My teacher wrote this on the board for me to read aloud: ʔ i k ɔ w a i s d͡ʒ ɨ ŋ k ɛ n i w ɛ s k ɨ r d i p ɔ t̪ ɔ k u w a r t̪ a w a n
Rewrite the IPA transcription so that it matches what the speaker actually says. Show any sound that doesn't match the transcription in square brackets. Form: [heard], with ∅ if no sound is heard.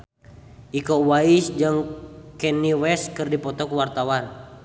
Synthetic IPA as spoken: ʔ i k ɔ w a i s d͡ʒ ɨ ŋ k ɛ n i w ɛ s k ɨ r d i p ɔ t̪ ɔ k u w a r t̪ a w a n